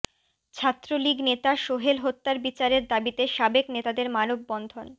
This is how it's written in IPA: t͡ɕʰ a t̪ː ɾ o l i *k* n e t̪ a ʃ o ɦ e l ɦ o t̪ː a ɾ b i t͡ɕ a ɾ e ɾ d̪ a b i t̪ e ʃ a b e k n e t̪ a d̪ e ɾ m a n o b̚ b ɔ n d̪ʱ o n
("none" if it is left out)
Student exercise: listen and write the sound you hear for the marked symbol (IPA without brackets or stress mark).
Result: ɡ